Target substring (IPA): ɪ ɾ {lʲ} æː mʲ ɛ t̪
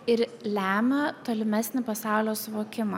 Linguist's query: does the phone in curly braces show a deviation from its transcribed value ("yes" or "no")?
no